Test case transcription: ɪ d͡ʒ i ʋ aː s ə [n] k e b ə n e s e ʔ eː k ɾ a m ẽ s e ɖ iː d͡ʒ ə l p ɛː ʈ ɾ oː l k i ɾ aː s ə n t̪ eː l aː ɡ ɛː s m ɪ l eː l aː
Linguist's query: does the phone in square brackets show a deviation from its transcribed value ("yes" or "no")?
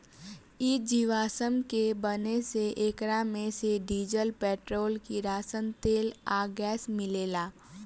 yes